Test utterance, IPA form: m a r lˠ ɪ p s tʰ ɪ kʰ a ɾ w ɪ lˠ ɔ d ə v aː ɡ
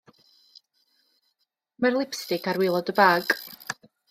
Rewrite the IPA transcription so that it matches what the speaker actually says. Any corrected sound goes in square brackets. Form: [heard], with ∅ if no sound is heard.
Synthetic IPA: m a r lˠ ɪ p s [t] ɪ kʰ a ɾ w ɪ lˠ ɔ d ə [b] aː ɡ